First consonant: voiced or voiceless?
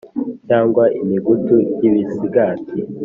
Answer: voiceless